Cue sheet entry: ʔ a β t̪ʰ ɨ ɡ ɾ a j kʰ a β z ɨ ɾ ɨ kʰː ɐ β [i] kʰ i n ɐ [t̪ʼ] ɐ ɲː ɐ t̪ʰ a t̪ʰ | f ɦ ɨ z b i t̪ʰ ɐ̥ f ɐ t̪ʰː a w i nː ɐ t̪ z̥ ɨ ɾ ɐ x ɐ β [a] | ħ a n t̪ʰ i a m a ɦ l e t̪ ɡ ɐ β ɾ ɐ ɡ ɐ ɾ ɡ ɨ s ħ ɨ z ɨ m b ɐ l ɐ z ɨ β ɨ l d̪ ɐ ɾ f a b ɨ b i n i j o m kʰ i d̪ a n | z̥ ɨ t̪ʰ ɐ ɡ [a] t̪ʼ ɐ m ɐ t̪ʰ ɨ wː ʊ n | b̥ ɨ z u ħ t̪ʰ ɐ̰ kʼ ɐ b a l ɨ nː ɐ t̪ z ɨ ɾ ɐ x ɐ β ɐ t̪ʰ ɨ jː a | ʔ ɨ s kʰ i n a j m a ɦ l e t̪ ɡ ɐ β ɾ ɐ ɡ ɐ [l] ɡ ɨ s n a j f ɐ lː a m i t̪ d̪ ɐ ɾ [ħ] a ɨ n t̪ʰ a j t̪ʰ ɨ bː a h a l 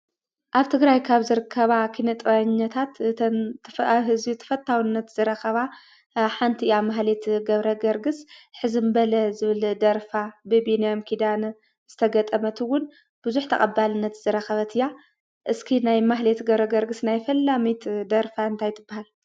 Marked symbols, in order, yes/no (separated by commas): no, yes, yes, no, no, no